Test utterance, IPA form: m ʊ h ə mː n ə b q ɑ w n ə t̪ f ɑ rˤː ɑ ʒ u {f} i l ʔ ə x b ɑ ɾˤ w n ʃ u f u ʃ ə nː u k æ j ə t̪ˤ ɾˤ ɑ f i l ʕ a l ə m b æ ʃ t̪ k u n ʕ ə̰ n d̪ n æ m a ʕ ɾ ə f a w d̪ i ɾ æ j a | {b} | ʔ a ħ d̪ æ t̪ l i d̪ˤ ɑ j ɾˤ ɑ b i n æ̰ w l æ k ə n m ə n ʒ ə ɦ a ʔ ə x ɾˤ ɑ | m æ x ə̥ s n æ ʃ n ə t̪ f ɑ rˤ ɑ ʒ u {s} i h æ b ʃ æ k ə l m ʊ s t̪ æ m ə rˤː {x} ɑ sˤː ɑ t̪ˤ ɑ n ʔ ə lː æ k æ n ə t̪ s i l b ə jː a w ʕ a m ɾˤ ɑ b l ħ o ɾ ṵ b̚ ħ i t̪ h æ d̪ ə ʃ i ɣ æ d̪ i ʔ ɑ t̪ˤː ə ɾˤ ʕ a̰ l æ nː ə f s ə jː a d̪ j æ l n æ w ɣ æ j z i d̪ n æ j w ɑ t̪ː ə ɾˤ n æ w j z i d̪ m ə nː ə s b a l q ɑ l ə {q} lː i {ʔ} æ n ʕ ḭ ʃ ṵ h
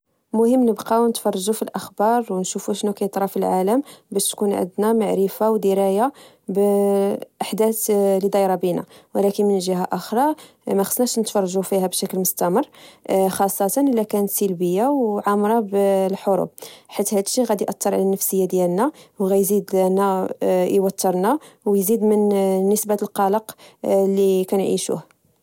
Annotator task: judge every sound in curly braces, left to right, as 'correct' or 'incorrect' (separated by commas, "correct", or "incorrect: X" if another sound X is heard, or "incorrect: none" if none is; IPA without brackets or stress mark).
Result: correct, correct, incorrect: f, correct, correct, incorrect: k